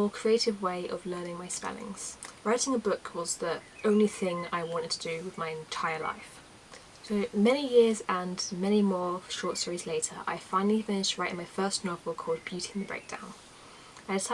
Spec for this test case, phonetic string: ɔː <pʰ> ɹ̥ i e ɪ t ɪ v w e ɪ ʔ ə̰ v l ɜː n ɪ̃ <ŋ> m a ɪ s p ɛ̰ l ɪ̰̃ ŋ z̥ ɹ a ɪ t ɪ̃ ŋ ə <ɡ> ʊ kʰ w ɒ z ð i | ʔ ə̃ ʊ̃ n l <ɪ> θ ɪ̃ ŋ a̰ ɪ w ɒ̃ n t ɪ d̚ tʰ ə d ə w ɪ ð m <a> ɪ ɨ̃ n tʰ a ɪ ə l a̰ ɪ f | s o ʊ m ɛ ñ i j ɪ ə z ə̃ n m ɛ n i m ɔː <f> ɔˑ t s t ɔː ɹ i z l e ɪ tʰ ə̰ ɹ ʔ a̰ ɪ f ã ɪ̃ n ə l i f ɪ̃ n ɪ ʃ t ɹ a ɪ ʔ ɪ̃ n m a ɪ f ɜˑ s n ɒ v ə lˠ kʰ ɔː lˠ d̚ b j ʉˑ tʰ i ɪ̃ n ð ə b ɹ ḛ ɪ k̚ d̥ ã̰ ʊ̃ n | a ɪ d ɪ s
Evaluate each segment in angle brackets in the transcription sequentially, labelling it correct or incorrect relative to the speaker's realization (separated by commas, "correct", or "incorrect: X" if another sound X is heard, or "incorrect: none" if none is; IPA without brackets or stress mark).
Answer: incorrect: kʰ, correct, incorrect: b, incorrect: i, correct, incorrect: ʃ